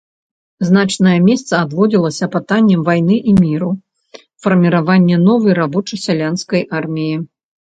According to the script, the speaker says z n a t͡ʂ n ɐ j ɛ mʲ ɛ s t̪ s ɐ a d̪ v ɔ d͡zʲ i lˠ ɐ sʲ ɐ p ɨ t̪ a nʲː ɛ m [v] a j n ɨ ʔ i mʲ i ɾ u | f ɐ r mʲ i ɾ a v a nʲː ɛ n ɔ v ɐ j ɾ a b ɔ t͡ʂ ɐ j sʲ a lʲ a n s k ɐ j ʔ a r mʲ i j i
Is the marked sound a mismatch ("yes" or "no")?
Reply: no